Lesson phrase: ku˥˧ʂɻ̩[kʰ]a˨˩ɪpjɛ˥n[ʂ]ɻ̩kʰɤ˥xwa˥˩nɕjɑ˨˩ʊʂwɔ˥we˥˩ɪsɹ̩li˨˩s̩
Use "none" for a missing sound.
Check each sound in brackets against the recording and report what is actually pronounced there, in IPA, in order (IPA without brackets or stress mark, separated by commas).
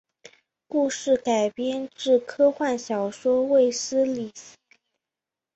k, ʈ͡ʂ